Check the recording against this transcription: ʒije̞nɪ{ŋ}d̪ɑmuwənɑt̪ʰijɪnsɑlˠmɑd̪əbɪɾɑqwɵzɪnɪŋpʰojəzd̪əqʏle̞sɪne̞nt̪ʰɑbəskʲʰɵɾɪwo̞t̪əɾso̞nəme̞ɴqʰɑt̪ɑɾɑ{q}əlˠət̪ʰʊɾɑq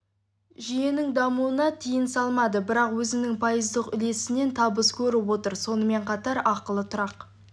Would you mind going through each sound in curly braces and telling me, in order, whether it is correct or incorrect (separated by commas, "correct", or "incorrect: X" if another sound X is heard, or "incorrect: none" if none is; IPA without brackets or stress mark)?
correct, correct